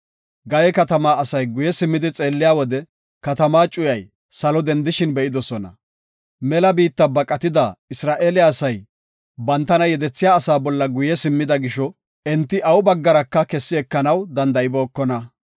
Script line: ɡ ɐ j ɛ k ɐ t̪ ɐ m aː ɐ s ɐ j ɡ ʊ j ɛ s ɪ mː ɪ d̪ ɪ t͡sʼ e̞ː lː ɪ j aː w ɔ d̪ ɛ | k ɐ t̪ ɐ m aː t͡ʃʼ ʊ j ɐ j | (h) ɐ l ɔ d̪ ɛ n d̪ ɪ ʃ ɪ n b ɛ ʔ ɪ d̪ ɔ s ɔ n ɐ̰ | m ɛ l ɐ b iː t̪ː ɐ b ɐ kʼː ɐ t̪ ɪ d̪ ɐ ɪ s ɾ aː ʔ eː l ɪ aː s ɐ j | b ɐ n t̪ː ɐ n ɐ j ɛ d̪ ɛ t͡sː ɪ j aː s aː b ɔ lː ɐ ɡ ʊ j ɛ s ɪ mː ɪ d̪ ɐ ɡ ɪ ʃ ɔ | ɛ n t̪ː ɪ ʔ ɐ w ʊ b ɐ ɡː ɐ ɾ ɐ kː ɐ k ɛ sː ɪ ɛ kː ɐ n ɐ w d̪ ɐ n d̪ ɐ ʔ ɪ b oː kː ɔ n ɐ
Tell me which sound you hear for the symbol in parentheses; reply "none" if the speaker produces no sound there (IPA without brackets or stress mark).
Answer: s